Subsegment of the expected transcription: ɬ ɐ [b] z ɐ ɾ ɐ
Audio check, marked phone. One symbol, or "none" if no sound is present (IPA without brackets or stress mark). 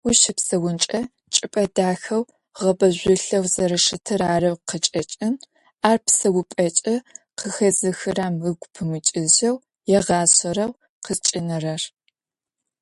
w